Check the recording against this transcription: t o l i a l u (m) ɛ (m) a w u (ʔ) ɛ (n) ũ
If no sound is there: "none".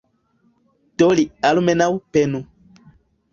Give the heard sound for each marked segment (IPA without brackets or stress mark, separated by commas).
m, n, p, n